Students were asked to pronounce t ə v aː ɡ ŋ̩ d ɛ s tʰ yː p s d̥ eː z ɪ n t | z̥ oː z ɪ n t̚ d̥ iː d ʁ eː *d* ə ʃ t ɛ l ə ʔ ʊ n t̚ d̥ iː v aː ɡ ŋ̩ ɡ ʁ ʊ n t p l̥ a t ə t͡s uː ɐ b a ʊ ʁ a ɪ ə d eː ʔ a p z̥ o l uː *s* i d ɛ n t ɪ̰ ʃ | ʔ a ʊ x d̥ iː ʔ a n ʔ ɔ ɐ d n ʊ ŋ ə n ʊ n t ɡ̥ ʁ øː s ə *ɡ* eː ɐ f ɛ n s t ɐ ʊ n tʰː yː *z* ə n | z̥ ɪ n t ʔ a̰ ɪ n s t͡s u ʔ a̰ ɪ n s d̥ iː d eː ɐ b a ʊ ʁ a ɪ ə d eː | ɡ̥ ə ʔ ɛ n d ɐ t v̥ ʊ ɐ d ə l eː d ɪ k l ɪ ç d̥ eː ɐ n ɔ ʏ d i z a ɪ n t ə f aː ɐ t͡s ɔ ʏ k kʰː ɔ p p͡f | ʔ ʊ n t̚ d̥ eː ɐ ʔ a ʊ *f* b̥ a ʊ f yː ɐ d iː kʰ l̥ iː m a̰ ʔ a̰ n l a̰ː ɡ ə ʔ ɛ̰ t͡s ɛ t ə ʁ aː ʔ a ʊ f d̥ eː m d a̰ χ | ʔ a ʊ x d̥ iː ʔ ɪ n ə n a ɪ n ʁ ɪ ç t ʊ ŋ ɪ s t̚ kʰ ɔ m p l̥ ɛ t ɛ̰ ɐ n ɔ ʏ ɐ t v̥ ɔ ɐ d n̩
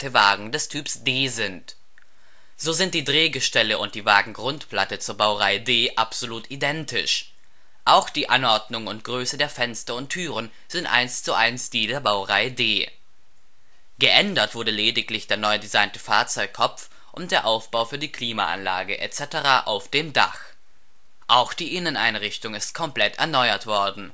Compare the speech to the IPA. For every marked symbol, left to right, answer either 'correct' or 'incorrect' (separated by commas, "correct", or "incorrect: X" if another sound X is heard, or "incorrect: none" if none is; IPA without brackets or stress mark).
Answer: incorrect: ɡ, incorrect: t, incorrect: d, incorrect: ʁ, correct